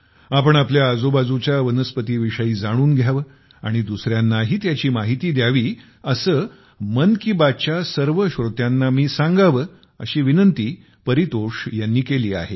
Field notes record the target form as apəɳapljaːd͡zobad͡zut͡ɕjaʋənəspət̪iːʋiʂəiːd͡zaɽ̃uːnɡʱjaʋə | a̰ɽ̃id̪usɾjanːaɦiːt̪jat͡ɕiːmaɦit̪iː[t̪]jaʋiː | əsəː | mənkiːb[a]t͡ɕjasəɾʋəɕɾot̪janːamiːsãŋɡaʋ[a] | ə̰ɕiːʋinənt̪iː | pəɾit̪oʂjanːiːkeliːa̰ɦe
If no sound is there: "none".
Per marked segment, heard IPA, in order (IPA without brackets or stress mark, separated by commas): d̪, a, ə